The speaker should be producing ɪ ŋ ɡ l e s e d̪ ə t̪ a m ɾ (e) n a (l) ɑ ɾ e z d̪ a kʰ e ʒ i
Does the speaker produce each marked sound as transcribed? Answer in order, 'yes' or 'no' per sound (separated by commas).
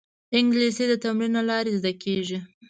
no, yes